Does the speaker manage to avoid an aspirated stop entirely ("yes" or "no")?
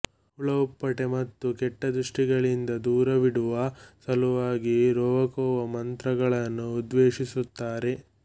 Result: yes